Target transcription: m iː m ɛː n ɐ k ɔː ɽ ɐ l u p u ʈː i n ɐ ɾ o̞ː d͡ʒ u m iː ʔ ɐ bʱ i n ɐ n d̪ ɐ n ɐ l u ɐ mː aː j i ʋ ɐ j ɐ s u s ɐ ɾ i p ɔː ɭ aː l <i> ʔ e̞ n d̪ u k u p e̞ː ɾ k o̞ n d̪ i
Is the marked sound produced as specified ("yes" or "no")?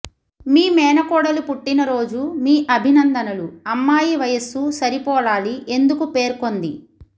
yes